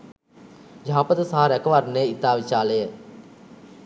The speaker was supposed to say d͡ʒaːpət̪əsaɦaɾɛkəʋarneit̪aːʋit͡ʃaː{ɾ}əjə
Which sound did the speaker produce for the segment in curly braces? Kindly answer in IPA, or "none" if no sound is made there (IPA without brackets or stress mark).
l